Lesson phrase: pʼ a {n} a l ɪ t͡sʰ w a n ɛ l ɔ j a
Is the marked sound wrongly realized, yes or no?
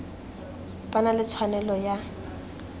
no